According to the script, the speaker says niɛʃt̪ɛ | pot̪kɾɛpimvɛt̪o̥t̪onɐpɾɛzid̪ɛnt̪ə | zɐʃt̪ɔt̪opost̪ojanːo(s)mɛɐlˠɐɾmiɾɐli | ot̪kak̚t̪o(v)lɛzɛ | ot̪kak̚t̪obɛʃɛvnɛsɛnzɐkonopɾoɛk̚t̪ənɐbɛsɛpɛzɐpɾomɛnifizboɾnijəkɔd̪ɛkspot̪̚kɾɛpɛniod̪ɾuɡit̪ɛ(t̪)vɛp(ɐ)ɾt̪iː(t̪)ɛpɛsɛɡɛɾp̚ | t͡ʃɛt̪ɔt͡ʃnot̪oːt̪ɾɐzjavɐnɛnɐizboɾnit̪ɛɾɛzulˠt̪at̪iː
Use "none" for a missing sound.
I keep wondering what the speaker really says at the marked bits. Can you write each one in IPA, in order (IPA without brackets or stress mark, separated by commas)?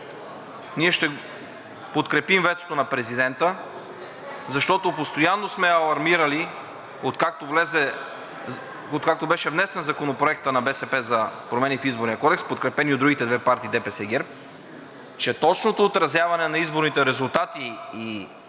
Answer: s, v, d̪, a, d̪